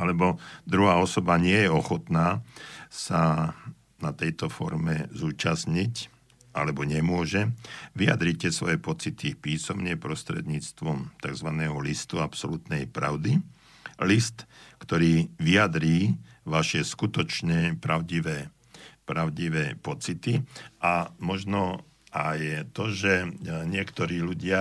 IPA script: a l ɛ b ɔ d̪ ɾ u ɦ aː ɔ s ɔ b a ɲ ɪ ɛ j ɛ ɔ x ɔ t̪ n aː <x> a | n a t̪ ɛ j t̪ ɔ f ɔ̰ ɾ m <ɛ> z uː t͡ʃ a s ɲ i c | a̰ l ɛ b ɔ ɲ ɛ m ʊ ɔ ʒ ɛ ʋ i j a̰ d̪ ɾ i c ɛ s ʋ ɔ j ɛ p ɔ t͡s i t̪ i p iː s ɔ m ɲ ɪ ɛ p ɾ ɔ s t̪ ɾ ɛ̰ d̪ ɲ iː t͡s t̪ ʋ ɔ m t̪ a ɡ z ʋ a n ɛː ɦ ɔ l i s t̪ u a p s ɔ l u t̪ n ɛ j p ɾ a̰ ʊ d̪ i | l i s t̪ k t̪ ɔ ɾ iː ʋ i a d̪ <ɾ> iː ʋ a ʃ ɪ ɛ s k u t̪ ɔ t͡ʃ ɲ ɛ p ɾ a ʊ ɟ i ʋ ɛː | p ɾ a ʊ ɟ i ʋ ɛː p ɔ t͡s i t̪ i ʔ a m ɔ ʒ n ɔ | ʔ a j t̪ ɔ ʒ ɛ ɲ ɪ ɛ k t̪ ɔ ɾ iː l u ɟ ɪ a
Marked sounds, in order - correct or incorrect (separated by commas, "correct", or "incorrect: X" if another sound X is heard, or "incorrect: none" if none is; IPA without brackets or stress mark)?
incorrect: s, correct, correct